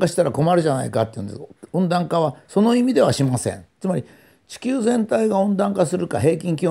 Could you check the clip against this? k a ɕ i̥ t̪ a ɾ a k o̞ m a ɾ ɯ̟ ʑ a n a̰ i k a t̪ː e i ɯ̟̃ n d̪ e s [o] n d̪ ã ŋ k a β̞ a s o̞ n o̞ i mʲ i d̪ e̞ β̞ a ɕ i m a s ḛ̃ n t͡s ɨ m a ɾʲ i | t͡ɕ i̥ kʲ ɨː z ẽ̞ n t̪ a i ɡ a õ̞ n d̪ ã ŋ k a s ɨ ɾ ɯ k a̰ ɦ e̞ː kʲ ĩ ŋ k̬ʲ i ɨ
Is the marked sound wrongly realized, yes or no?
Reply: yes